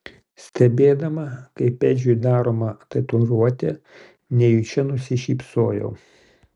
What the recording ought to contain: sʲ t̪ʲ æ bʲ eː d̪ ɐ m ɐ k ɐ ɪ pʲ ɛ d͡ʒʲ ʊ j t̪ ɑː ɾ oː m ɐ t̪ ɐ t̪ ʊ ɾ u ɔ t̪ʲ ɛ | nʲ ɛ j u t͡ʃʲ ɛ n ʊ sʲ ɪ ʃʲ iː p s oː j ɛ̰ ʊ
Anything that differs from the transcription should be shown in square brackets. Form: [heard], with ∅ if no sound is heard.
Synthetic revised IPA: sʲ t̪ʲ [ɛ] bʲ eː d̪ ɐ m ɐ k ɐ ɪ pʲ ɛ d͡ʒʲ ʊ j [d̪] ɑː ɾ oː m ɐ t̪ ɐ t̪ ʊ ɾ u ɔ t̪ʲ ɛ | nʲ ɛ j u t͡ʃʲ ɛ n ʊ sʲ ɪ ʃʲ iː p s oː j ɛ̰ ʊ

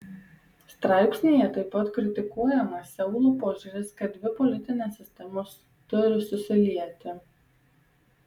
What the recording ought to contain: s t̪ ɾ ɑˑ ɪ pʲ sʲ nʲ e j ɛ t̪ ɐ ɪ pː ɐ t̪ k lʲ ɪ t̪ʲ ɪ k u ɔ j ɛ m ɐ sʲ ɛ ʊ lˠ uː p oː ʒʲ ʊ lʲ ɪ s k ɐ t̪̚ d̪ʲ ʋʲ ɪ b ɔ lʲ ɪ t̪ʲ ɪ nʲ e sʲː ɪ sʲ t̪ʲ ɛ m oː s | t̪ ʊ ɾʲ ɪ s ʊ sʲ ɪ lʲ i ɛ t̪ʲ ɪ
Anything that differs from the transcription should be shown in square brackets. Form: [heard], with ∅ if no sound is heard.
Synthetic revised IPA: s t̪ ɾ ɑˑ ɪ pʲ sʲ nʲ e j ɛ t̪ ɐ ɪ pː ɐ t̪ k [ɾʲ] ɪ t̪ʲ ɪ k u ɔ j ɛ m ɐ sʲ ɛ ʊ lˠ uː p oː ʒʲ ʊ [ɾʲ] ɪ s k ɐ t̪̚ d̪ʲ ʋʲ ɪ [p] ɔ lʲ ɪ t̪ʲ ɪ nʲ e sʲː ɪ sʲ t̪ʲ ɛ m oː s | t̪ ʊ ɾʲ ɪ s ʊ sʲ ɪ lʲ i ɛ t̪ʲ ɪ

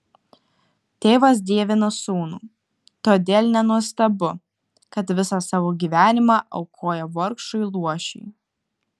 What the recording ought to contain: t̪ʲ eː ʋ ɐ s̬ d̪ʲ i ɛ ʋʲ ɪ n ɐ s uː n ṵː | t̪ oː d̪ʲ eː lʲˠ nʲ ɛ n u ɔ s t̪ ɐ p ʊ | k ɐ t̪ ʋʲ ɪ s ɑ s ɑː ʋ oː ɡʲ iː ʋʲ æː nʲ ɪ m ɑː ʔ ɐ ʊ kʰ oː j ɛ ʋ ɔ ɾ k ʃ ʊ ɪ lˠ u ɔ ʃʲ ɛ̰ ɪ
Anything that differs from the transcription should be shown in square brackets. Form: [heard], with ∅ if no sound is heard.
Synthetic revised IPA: t̪ʲ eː ʋ ɐ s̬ d̪ʲ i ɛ ʋʲ ɪ n ɐ s uː n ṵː | t̪ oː d̪ʲ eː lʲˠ nʲ ɛ n u ɔ s t̪ ɐ [b] ʊ | k ɐ t̪ ʋʲ ɪ s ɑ s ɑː ʋ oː ɡʲ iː ʋʲ æː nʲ ɪ m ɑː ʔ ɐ ʊ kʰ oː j ɛ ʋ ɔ ɾ k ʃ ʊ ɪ lˠ u ɔ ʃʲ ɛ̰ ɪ

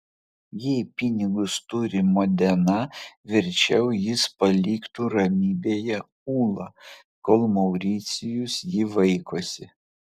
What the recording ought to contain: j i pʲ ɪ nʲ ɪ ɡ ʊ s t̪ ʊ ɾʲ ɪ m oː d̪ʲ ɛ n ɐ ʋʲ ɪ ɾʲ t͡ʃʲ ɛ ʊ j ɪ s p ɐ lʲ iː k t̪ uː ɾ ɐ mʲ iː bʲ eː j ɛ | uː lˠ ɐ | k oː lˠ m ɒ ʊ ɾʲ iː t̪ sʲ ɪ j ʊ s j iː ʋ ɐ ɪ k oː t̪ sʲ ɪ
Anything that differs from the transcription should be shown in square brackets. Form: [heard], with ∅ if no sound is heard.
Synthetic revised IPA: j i pʲ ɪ nʲ ɪ ɡ ʊ s t̪ ʊ ɾʲ ɪ m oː d̪ʲ ɛ n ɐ ʋʲ ɪ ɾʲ t͡ʃʲ ɛ ʊ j ɪ s p ɐ lʲ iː k t̪ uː ɾ ɐ mʲ iː bʲ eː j ɛ | uː lˠ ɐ | k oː lˠ m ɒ ʊ ɾʲ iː t̪ sʲ ɪ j ʊ s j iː ʋ ɐ ɪ k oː [∅] sʲ ɪ

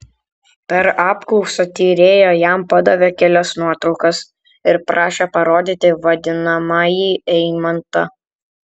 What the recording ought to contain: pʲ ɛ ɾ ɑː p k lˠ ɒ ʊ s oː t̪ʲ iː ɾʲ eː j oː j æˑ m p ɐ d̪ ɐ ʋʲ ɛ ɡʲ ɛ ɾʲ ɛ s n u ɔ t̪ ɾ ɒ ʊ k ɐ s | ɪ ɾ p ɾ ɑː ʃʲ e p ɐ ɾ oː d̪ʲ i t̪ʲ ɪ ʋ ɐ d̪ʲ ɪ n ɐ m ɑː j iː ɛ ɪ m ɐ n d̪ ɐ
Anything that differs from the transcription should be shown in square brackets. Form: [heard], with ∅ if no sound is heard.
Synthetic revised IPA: pʲ ɛ ɾ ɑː p k lˠ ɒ ʊ s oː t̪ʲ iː ɾʲ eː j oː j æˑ m p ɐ d̪ ɐ ʋʲ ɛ [kʲ] ɛ [lʲ] ɛ s n u ɔ t̪ ɾ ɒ ʊ k ɐ s | ɪ ɾ p ɾ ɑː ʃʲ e p ɐ ɾ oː d̪ʲ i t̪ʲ ɪ ʋ ɐ d̪ʲ ɪ n ɐ m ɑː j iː ɛ ɪ m ɐ n [t̪] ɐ

